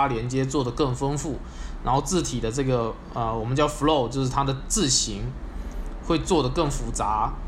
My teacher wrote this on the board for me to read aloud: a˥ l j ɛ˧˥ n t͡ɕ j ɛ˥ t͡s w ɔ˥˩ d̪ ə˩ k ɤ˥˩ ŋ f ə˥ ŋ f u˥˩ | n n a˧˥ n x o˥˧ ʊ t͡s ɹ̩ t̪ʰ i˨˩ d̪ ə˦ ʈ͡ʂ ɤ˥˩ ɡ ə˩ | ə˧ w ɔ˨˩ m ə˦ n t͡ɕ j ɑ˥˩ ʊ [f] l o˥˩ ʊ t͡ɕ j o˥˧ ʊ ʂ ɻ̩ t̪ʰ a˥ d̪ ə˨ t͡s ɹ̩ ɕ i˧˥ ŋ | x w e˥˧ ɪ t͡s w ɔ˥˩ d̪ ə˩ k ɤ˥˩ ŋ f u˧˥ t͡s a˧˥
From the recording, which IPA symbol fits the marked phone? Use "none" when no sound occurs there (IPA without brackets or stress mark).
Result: f